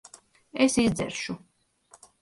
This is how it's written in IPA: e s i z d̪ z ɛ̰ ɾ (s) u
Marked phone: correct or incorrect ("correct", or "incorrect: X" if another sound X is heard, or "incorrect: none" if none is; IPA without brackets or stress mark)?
incorrect: ʃ